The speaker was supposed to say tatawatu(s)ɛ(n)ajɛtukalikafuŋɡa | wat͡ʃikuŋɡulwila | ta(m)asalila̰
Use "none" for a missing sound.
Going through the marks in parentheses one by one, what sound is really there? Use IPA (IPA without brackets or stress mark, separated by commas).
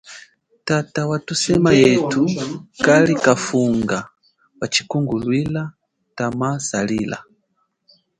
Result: s, m, m